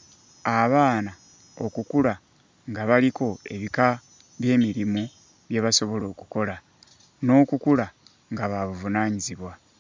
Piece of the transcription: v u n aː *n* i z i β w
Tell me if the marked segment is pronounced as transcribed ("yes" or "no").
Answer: no